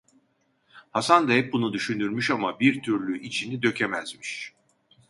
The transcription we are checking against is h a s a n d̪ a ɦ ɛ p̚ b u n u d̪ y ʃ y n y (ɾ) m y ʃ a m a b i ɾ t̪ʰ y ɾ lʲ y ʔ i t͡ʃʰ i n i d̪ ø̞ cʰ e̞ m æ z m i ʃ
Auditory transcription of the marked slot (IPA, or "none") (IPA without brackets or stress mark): ɾ